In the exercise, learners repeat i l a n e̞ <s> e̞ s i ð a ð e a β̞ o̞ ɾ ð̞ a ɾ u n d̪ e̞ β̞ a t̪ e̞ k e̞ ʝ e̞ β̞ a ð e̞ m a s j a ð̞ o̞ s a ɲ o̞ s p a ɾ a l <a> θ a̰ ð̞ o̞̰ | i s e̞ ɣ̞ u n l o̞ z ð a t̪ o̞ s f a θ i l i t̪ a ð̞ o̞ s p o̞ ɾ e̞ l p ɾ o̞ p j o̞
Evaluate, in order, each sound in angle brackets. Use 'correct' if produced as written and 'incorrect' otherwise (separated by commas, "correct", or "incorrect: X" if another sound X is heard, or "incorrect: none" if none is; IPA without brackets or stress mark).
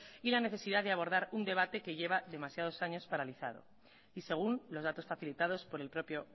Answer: incorrect: θ, incorrect: i